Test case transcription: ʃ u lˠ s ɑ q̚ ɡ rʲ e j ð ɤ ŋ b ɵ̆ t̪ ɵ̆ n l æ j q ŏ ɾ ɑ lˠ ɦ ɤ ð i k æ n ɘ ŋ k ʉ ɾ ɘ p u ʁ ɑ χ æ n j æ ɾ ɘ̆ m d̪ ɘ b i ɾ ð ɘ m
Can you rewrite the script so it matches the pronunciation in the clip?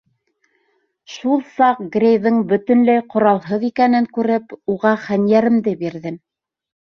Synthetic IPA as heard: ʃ u lˠ s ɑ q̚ ɡ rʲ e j ð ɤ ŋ b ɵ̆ t̪ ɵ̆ n l æ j q ŏ ɾ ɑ lˠ ɦ ɤ ð i k æ n ɘ ŋ k ʉ ɾ ɘ p u ʁ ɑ χ æ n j æ ɾ ɘ̆ m d̪ ɘ b i ɾ ð ɘ m